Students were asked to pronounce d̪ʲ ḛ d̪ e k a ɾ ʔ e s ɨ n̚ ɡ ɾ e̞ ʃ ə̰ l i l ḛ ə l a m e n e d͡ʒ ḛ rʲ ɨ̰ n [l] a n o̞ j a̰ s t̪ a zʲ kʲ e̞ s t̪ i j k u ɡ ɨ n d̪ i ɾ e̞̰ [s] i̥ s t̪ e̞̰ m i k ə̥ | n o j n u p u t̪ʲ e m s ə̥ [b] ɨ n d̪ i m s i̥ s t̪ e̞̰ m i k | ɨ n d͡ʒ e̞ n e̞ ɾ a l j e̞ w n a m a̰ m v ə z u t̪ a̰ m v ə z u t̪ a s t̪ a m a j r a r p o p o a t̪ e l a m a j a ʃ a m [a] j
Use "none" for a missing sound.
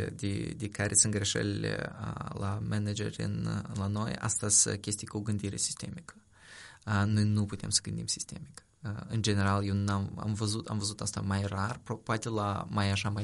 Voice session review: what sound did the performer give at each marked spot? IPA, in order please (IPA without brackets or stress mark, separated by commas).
l, s, ɡ, a